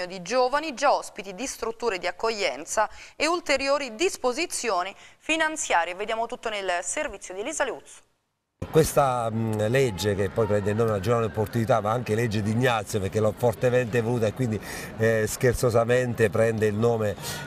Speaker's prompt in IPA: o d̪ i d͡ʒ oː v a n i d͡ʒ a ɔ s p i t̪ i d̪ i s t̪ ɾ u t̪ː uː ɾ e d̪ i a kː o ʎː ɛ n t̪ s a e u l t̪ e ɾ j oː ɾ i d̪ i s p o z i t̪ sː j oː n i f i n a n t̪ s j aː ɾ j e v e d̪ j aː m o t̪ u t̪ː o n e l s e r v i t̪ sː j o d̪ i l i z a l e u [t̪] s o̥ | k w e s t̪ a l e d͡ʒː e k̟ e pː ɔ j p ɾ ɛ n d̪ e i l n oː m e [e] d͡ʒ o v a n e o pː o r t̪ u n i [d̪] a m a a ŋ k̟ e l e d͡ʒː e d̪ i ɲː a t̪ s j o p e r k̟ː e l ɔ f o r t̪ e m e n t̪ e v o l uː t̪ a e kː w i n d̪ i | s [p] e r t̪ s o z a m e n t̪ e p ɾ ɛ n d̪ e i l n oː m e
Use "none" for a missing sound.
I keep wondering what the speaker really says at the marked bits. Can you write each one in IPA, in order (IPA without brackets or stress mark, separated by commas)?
t̪, a, t̪, k